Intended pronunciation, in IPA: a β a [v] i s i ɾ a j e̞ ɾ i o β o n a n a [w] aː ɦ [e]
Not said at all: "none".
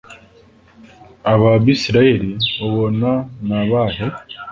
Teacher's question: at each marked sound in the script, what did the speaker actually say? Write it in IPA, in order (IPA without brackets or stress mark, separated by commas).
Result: β, β, e